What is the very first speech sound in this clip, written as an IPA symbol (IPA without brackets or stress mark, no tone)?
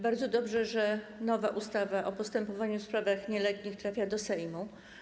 b